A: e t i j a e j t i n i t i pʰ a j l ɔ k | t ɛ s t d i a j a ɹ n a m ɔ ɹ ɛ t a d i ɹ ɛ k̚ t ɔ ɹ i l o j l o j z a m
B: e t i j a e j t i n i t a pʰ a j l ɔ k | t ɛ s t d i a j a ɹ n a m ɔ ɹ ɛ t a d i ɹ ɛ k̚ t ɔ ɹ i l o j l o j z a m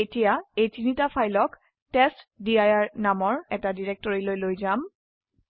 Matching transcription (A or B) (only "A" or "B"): B